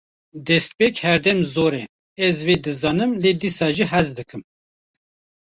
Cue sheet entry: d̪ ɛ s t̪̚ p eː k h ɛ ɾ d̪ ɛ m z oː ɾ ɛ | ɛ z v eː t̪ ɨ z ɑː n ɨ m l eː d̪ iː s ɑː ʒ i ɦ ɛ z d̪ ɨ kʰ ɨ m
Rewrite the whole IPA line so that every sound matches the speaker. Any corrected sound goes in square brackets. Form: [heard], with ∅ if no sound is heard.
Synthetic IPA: d̪ ɛ s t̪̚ p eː k h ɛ ɾ d̪ ɛ m z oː ɾ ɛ | ɛ z v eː [d̪] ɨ z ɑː n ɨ m l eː d̪ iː s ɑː ʒ i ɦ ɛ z d̪ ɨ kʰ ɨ m

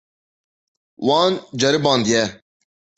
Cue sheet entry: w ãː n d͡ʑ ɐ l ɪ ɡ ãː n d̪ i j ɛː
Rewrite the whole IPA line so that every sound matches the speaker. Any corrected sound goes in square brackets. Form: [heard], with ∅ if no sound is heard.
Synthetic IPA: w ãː n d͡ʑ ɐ [ɾ] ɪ [b] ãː n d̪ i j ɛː

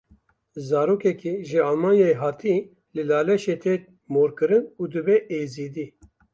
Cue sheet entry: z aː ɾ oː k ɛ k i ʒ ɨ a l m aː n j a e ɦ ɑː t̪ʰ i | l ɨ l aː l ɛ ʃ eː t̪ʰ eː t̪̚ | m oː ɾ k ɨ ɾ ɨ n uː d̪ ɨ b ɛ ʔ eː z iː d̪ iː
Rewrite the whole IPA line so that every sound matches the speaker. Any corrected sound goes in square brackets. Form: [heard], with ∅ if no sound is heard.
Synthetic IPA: z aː ɾ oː k ɛ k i ʒ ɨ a l m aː n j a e ɦ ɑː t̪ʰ i | l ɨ l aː l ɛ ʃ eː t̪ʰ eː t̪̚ | m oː ɾ k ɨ ɾ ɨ n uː d̪ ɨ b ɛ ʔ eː z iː d̪ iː

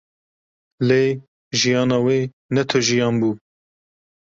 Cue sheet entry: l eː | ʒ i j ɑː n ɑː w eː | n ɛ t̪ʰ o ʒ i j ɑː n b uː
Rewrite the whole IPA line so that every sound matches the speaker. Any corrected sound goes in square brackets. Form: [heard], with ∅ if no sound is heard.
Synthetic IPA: l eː | ʒ i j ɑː n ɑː w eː | n ɛ t̪ʰ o ʒ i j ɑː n b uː

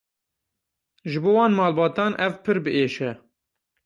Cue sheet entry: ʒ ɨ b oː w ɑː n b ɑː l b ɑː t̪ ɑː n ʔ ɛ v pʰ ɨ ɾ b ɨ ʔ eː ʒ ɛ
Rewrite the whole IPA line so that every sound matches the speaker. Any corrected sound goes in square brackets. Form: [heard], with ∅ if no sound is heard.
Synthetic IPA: ʒ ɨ b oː w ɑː n [m] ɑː l b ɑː t̪ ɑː n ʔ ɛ v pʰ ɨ ɾ b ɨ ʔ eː [ʃ] ɛ

